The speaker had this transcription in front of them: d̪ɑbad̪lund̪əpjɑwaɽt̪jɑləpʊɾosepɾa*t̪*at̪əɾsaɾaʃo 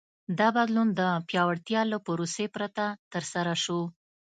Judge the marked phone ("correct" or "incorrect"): correct